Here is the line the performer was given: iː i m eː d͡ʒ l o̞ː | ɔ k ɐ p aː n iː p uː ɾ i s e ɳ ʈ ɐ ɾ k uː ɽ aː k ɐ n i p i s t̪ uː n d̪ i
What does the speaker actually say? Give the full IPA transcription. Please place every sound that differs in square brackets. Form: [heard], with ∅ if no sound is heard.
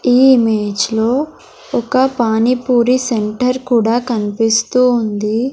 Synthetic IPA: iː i m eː d͡ʒ l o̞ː | ɔ k ɐ p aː n [i] p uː ɾ i s e ɳ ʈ ɐ ɾ k uː ɽ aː k ɐ n i p i s t̪ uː n d̪ i